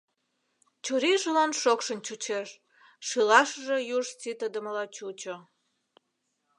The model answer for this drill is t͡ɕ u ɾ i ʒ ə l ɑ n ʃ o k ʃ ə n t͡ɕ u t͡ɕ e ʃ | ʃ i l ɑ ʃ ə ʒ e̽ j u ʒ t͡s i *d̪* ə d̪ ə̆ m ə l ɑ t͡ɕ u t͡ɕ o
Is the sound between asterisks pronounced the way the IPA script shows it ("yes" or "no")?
no